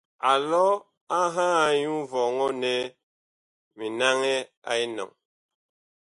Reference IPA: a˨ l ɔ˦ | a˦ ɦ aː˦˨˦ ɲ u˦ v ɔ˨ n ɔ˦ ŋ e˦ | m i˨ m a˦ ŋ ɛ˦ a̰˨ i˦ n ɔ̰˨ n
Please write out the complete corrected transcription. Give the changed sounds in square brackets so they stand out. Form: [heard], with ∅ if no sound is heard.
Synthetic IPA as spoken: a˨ l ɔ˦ | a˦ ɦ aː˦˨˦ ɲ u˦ v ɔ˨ [ŋ] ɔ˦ [n] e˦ | m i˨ [n] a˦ ŋ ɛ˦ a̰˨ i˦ n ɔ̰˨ [ŋ]